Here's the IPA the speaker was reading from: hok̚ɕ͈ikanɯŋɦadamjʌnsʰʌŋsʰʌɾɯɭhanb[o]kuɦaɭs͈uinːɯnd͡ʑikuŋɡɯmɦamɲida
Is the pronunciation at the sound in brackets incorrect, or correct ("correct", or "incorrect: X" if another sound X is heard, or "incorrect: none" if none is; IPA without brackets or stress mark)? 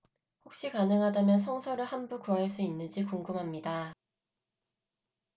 incorrect: u